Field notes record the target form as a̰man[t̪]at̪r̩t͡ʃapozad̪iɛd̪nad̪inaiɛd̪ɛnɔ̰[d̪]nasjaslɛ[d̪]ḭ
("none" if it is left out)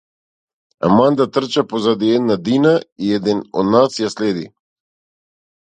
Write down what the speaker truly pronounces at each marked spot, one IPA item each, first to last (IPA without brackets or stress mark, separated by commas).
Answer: d̪, d̪, d̪